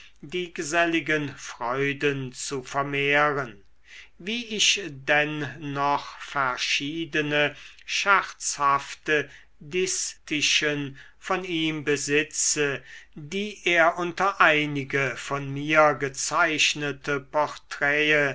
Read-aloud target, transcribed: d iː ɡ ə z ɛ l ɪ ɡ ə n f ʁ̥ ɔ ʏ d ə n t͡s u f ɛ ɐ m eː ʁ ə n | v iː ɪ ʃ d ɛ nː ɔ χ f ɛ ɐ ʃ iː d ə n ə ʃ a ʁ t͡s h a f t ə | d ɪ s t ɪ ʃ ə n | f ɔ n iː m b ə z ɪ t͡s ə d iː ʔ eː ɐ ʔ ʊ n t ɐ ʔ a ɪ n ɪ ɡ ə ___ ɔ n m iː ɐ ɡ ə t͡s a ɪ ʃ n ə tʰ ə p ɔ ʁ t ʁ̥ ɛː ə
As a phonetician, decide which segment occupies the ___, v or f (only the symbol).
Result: f